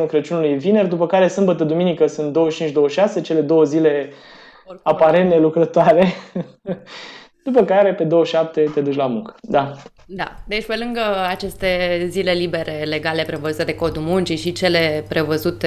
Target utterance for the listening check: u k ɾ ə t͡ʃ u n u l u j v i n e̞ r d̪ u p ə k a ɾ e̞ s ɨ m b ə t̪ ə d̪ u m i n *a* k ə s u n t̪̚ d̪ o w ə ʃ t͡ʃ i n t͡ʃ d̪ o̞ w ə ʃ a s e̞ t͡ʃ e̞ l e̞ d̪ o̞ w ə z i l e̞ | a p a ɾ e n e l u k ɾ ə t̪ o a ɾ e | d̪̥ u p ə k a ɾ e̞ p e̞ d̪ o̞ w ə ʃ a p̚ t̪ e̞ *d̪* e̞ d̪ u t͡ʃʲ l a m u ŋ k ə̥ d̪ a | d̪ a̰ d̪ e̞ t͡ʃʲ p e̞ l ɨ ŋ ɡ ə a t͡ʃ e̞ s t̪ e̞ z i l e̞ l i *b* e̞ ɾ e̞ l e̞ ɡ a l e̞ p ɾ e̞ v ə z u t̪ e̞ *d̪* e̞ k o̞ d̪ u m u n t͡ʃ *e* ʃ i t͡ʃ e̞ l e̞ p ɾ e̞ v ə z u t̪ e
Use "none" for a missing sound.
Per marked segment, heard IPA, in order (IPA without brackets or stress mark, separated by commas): i, t̪, b, d̪, i